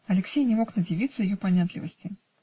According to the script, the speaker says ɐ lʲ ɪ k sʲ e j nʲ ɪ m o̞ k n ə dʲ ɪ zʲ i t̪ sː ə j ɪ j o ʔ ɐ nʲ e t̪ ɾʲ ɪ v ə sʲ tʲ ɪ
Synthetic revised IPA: ɐ lʲ ɪ k sʲ e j nʲ ɪ m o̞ k n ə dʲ ɪ vʲ i t̪ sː ə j ɪ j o p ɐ nʲ a t̪ lʲ ɪ v ə sʲ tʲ ɪ